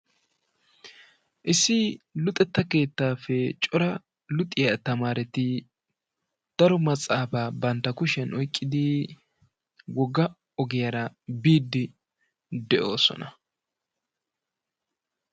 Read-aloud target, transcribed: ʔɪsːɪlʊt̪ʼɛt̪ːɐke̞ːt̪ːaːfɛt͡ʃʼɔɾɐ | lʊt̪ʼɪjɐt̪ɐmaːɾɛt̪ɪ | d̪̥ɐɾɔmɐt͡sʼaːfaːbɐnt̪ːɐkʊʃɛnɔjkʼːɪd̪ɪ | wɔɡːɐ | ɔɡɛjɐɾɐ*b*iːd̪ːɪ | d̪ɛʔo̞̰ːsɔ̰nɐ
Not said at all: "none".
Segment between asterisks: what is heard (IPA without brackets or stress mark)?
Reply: b